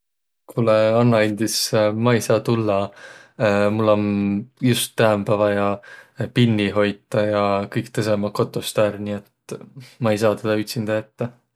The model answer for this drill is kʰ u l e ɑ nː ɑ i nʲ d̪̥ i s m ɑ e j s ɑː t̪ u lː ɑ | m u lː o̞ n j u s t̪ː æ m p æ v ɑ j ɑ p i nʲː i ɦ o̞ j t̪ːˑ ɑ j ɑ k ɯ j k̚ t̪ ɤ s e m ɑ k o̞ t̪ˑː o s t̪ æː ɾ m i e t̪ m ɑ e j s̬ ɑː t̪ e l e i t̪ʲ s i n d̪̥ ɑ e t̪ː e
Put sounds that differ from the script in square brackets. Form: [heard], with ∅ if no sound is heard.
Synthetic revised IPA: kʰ u l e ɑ nː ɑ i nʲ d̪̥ i s m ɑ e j s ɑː t̪ u lː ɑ | m u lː o̞ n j u s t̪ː æ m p æ v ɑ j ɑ p i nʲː i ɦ o̞ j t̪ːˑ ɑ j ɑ k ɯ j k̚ t̪ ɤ s e m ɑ k o̞ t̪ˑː o s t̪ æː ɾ [n] i e t̪ m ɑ e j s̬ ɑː t̪ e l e [y] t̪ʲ s i n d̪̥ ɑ e t̪ː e